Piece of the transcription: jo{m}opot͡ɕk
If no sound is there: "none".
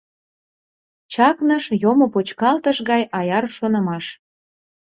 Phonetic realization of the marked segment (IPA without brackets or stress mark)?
m